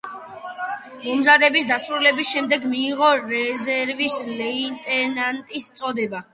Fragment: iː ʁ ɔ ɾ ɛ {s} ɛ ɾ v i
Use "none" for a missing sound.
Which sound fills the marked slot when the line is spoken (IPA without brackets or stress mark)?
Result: z